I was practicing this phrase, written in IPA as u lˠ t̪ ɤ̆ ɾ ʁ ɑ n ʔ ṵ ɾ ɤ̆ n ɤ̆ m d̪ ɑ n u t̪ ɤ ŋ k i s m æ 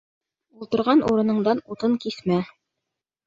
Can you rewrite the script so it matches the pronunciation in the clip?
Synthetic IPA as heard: u lˠ t̪ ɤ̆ ɾ ʁ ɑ n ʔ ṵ ɾ ɤ̆ n ɤ̆ ɴ d̪ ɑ n u t̪ ɤ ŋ k i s m æ